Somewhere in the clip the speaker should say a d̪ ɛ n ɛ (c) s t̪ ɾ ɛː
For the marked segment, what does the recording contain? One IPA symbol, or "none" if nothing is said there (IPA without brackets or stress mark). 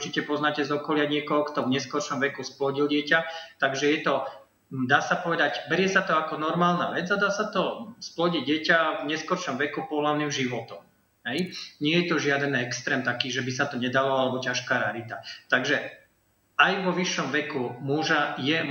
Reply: k